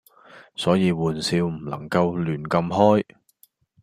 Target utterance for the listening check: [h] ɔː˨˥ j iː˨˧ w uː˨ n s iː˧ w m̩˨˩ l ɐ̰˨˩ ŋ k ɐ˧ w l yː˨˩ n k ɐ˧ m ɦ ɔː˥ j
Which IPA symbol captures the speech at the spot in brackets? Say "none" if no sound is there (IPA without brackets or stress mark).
s